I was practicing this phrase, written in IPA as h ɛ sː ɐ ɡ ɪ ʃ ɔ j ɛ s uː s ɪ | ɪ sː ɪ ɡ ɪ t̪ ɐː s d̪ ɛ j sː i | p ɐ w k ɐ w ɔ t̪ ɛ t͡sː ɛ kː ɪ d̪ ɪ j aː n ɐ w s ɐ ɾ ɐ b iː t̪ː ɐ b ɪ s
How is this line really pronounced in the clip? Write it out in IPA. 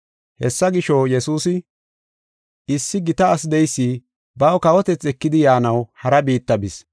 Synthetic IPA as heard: h ɛ sː ɐ ɡ ɪ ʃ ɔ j ɛ s uː s ɪ | ɪ sː ɪ ɡ ɪ t̪ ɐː s d̪ ɛ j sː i | b ɐ w k ɐ w ɔ t̪ ɛ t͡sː ɛ kː ɪ d̪ ɪ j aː n ɐ w h ɐ ɾ ɐ b iː t̪ː ɐ b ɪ s

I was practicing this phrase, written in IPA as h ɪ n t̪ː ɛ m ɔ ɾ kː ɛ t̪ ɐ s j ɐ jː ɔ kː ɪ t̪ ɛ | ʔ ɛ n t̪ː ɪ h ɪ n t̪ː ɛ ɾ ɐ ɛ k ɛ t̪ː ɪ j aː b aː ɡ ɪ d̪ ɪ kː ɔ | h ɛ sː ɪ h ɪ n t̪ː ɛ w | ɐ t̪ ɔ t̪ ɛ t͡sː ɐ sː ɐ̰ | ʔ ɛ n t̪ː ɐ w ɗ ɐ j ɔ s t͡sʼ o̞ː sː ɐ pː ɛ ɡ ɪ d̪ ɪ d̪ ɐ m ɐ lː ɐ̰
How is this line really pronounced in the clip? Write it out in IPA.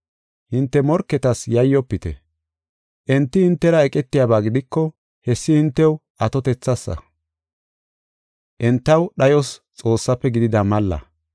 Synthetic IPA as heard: h ɪ n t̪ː ɛ m ɔ ɾ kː ɛ t̪ ɐ s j ɐ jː ɔ pː ɪ t̪ ɛ | ʔ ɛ n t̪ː ɪ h ɪ n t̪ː ɛ ɾ ɐ ɛ kʼ ɛ t̪ː ɪ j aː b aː ɡ ɪ d̪ ɪ kː ɔ | h ɛ sː ɪ h ɪ n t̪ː ɛ w | ɐ t̪ ɔ t̪ ɛ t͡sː ɐ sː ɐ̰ | ʔ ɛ n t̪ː ɐ w ɗ ɐ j ɔ s t͡sʼ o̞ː sː ɐ pː ɛ ɡ ɪ d̪ ɪ d̪ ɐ m ɐ lː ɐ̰

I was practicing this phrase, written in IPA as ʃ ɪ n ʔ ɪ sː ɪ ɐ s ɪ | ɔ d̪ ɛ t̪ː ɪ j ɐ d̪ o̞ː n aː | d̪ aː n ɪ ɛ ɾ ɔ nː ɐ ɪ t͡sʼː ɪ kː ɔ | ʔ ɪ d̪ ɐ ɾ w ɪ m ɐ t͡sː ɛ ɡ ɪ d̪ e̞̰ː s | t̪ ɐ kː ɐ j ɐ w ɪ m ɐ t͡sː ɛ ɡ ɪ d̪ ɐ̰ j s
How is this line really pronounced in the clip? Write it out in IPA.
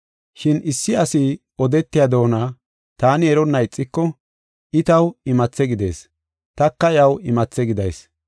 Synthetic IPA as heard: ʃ ɪ n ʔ ɪ sː ɪ ɐ s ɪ | ɔ d̪ ɛ t̪ː ɪ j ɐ d̪ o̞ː n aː | t̪ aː n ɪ ɛ ɾ ɔ nː ɐ ɪ t͡sʼː ɪ kː ɔ | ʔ ɪ t̪ ɐ w ɪ m ɐ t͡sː ɛ ɡ ɪ d̪ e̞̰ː s | t̪ ɐ kː ɐ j ɐ w ɪ m ɐ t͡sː ɛ ɡ ɪ d̪ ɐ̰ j s

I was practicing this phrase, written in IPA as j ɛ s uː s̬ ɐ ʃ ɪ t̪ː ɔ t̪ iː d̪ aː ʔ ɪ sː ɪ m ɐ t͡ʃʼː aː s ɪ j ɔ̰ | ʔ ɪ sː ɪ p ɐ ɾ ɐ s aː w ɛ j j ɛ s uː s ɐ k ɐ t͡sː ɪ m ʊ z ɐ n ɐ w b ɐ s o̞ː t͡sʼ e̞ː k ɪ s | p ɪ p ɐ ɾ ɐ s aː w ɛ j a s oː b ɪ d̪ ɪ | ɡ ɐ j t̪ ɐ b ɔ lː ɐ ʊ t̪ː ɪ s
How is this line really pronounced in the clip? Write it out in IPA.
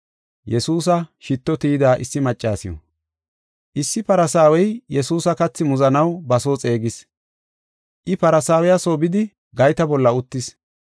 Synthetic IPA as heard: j ɛ s uː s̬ ɐ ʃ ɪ t̪ː ɔ t̪ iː d̪ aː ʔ ɪ sː ɪ m ɐ t͡ʃʼː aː s ɪ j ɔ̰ | ʔ ɪ sː ɪ p ɐ ɾ ɐ s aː w ɛ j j ɛ s uː s ɐ k ɐ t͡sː ɪ m ʊ z ɐ n ɐ w b ɐ s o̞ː t͡sʼ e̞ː ɡ ɪ s | ʔ ɪ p ɐ ɾ ɐ s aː w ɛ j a s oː b ɪ d̪ ɪ | ɡ ɐ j t̪ ɐ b ɔ lː ɐ ʊ t̪ː ɪ s

